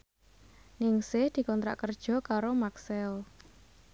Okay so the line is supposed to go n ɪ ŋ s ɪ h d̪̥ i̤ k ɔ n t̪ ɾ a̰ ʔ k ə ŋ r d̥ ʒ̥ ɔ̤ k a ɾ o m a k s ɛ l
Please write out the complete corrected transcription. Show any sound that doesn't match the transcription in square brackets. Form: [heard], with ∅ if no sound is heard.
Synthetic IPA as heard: n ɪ ŋ s ɪ h d̪̥ i̤ k ɔ n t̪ ɾ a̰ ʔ k ə [∅] r d̥ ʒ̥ ɔ̤ k a ɾ o m a k s ɛ l